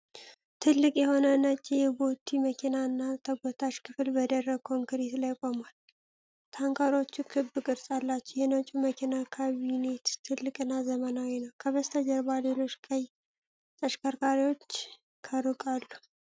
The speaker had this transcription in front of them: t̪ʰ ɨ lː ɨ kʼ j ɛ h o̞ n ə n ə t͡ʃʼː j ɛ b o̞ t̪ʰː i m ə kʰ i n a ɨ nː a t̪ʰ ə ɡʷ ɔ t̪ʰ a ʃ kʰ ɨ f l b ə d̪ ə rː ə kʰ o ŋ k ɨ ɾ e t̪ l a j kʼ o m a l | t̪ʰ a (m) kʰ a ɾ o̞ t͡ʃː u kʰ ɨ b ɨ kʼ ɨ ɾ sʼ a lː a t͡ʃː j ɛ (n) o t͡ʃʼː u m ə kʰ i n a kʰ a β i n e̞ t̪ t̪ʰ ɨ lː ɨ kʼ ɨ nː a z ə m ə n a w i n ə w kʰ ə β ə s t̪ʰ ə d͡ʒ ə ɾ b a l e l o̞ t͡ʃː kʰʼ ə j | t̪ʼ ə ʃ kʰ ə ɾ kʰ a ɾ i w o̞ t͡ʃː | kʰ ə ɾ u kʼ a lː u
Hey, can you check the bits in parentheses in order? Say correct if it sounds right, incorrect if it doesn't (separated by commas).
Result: incorrect, correct